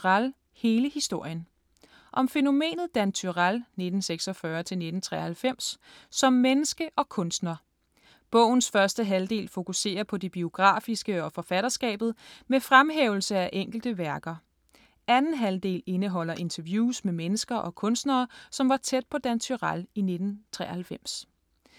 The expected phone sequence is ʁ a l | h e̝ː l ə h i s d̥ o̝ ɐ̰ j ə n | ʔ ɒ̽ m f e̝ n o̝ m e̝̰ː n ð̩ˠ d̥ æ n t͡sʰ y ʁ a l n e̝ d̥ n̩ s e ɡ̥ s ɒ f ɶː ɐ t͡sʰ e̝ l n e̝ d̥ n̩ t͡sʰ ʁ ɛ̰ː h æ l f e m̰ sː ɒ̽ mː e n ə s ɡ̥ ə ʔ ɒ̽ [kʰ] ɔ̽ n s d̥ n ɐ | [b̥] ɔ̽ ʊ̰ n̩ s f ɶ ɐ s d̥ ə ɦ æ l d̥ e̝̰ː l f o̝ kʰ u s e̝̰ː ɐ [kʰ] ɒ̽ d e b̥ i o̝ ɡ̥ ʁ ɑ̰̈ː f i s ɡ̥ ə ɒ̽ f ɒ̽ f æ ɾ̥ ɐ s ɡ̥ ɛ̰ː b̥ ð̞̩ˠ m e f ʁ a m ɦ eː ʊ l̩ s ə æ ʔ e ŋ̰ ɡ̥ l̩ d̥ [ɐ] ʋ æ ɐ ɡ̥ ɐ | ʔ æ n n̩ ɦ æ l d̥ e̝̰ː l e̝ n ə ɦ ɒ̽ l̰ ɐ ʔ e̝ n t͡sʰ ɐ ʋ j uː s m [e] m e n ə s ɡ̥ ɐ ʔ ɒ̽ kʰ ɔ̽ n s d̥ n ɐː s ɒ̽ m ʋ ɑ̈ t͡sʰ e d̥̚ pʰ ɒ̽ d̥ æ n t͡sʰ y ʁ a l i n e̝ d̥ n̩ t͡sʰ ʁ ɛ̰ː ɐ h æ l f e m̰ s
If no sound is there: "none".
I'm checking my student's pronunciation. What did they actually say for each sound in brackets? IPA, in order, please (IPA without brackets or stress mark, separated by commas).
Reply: kʰ, b̥, pʰ, ə, e